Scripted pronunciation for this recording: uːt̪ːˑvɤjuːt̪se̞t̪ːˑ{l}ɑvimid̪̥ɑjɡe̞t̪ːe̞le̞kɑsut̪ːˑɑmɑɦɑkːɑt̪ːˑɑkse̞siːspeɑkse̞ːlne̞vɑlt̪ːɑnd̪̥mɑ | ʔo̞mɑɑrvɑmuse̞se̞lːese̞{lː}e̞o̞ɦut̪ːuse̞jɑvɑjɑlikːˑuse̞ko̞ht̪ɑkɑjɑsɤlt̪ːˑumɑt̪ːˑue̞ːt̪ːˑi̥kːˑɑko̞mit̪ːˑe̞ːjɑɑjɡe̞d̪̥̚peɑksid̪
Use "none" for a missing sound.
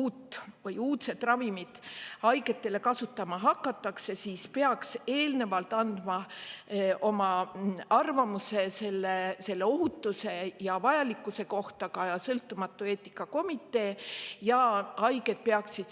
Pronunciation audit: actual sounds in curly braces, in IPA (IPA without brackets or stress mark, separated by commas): r, lː